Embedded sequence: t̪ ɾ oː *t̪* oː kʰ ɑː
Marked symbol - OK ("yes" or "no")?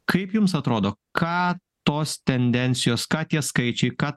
no